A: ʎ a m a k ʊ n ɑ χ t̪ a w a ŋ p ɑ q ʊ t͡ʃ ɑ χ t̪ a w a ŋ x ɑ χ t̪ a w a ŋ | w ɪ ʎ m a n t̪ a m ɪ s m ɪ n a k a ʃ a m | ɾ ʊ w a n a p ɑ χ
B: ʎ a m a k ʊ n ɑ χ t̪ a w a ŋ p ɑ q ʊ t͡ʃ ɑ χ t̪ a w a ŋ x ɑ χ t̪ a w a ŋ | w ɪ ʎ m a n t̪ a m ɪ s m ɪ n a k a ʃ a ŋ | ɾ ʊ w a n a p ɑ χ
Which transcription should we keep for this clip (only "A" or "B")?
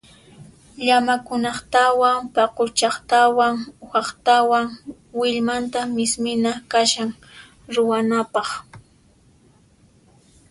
B